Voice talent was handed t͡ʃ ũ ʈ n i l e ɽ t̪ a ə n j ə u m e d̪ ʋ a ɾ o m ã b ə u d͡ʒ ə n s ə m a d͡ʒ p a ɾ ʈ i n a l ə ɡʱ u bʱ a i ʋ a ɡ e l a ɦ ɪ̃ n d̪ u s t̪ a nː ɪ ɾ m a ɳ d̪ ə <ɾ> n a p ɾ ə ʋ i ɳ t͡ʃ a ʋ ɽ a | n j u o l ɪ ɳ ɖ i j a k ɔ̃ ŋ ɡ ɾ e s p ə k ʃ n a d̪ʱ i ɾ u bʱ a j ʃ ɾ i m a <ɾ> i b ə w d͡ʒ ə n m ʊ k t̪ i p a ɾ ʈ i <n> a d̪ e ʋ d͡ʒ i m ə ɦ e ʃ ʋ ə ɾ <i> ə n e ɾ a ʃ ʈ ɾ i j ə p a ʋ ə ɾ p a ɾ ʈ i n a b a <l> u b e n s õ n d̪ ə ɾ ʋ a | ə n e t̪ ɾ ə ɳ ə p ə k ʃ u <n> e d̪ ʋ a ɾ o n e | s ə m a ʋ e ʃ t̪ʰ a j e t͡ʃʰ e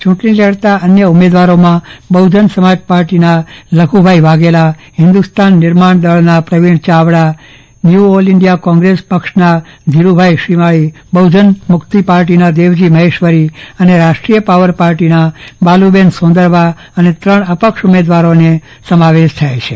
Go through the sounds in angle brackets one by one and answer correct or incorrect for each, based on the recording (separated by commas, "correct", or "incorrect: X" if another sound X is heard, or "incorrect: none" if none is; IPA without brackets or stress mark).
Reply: incorrect: ɭ, incorrect: ɭ, correct, correct, correct, incorrect: m